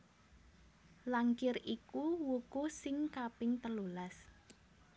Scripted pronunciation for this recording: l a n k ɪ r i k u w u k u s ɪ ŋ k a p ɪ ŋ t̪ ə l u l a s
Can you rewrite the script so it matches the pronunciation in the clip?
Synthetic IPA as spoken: l a ŋ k ɪ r i k u w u k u s ɪ ŋ k a p ɪ ŋ t̪ ə l u l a s